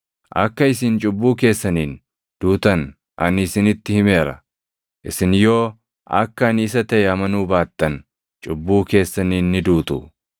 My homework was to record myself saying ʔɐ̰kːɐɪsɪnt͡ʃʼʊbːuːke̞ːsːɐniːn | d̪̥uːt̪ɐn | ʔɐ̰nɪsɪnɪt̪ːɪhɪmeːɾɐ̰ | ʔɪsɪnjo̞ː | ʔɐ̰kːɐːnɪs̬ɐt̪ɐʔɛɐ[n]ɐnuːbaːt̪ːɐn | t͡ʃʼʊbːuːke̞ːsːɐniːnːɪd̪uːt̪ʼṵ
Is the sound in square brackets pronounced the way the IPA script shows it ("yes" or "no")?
no